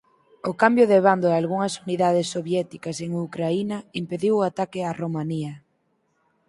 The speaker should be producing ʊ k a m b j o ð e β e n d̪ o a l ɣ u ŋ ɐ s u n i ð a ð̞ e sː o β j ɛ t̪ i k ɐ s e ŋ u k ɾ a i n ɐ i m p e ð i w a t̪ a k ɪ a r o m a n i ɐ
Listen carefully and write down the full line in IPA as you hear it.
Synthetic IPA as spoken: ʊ k a m b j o ð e β a n d̪ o a l ɣ u ŋ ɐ s u n i ð a ð̞ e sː o β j ɛ t̪ i k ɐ s e ŋ u k ɾ a i n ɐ i m p e ð i w a t̪ a k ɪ a r o m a n i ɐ